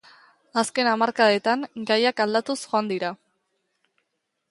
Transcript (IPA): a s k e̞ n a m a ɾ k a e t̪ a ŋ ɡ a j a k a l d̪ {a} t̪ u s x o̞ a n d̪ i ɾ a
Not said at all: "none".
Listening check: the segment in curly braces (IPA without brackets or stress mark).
a